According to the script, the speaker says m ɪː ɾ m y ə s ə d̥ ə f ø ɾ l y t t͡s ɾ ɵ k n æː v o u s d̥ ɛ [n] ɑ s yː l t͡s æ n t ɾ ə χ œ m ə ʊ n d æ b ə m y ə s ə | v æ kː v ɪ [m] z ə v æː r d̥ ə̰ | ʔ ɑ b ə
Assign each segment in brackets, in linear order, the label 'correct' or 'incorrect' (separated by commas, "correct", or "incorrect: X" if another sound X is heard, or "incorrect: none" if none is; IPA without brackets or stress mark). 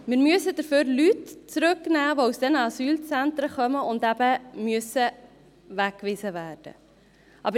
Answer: correct, incorrect: none